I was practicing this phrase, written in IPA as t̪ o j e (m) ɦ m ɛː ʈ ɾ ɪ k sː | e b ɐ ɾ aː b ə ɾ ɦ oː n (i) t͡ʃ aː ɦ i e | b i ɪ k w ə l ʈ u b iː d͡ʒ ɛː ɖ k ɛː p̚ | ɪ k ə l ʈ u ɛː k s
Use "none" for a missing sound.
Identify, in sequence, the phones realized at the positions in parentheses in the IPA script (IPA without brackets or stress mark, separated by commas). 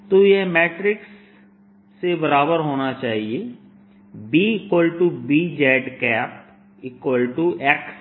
none, a